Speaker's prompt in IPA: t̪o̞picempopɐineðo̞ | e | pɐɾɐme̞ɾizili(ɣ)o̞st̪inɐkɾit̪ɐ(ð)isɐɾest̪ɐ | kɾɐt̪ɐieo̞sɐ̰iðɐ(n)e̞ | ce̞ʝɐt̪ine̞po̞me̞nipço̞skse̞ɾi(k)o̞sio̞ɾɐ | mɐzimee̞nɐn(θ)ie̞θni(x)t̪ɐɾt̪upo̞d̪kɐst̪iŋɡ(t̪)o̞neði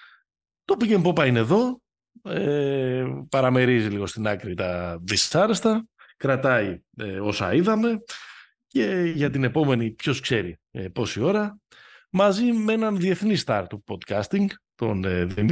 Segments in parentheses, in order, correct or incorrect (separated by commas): correct, correct, incorrect, incorrect, incorrect, incorrect, correct